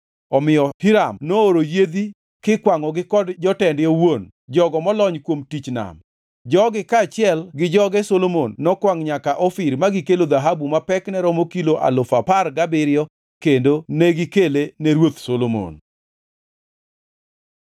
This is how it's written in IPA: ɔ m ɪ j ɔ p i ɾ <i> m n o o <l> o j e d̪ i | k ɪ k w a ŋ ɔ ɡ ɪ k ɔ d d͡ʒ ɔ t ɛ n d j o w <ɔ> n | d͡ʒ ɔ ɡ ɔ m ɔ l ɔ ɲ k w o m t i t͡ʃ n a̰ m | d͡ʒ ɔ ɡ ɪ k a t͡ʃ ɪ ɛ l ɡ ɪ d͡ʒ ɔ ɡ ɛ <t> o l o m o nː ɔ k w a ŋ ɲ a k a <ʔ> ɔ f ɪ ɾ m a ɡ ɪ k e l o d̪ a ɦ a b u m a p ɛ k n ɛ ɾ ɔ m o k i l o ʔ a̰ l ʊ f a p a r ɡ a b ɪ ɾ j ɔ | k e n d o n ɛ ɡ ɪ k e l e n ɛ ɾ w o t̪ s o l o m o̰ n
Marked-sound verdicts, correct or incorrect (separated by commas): incorrect, incorrect, incorrect, incorrect, correct